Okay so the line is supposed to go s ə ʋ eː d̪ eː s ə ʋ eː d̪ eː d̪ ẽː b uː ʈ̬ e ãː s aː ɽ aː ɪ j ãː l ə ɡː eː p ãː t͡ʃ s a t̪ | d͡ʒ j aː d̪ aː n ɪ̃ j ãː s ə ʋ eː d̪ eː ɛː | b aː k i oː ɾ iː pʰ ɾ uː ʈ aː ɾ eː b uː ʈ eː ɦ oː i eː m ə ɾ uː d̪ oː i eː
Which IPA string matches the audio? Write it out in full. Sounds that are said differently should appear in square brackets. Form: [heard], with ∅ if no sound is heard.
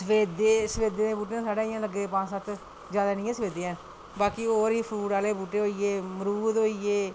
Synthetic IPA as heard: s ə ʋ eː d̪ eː s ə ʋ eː d̪ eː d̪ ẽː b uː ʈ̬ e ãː s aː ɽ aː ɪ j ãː l ə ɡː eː p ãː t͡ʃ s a t̪ | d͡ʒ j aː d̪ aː n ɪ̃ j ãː s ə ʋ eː d̪ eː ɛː | b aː k i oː ɾ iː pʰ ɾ uː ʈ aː [l] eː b uː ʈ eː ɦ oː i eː m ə ɾ uː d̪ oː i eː